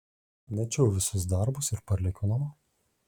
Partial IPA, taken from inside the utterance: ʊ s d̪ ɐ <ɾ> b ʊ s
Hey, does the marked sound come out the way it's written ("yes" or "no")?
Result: yes